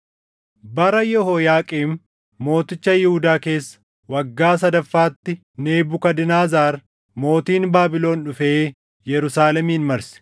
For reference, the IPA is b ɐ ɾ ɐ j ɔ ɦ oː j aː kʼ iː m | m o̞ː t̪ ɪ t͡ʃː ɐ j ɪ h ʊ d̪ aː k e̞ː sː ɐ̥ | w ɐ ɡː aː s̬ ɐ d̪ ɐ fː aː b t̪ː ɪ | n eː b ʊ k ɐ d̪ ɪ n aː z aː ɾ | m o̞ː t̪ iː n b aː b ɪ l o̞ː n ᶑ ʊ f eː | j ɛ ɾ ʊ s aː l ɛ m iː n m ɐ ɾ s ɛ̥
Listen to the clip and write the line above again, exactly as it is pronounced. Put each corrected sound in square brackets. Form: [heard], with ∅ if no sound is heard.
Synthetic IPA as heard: b ɐ ɾ ɐ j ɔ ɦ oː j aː kʼ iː m | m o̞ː t̪ ɪ t͡ʃː ɐ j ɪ h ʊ d̪ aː k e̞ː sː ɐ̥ | w ɐ ɡː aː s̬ ɐ d̪ ɐ fː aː [∅] t̪ː ɪ | n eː b ʊ k ɐ d̪ ɪ n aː z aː ɾ | m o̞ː t̪ iː n b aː b ɪ l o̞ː n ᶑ ʊ f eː | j ɛ ɾ ʊ s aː l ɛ m iː n m ɐ ɾ s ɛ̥